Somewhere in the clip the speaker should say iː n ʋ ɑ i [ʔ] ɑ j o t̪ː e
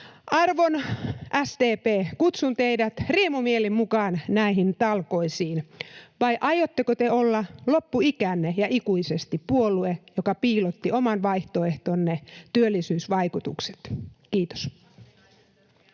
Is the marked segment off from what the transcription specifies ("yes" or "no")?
no